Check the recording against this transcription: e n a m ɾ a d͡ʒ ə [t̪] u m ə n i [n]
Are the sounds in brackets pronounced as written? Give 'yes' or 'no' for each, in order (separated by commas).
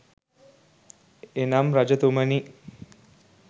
yes, no